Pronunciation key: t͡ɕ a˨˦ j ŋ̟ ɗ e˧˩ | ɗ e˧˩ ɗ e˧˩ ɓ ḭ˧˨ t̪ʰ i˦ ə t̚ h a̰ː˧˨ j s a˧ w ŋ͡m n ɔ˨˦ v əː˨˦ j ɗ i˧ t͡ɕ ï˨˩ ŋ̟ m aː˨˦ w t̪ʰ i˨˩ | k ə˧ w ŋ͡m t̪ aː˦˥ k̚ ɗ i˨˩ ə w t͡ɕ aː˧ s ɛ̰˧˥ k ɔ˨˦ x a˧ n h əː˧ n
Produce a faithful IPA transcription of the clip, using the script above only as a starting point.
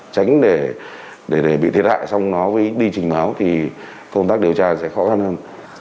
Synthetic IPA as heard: t͡ɕ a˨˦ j ŋ̟ ɗ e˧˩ | ɗ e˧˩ ɗ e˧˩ ɓ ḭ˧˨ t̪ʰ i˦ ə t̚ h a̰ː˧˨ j s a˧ w ŋ͡m n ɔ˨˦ v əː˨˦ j ɗ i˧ t͡ɕ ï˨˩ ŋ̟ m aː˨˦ w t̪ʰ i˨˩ | k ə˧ w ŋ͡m t̪ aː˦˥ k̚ ɗ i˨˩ ə w t͡ɕ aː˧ s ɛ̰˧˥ x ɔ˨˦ x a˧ n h əː˧ n